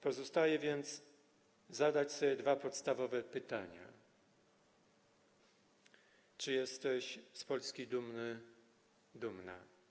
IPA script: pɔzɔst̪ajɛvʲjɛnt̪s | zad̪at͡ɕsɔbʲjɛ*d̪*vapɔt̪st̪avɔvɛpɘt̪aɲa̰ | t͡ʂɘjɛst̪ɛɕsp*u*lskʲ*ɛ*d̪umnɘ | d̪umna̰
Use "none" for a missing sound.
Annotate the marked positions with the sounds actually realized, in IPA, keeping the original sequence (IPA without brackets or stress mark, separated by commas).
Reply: d̪, ɔ, i